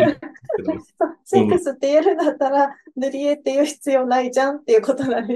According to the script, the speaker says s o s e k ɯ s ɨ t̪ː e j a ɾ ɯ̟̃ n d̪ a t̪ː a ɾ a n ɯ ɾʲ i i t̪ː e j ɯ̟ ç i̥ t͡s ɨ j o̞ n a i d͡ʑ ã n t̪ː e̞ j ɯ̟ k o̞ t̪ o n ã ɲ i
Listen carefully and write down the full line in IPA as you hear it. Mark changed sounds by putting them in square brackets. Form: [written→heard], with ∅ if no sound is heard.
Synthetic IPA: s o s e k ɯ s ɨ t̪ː e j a ɾ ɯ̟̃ n d̪ a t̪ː a ɾ a n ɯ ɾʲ i [i→e] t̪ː e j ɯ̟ ç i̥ t͡s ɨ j o̞ n a i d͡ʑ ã n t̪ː e̞ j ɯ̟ k o̞ t̪ o n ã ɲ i